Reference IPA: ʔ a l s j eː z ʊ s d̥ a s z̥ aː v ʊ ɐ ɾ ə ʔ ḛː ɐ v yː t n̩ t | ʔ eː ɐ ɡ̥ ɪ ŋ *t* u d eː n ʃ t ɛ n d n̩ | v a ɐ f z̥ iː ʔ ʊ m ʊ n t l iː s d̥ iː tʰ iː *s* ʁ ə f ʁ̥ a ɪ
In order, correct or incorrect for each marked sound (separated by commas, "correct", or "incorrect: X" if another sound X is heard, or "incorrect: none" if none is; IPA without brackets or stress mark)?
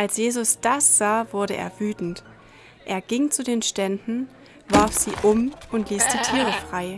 incorrect: t͡s, incorrect: none